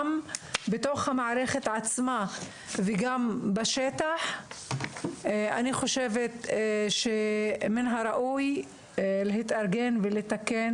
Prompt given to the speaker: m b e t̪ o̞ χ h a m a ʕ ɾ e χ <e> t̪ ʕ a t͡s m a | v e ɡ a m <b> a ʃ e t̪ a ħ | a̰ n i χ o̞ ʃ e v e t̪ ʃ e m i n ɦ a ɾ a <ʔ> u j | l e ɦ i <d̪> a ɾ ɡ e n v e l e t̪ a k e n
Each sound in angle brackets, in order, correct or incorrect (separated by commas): correct, correct, correct, incorrect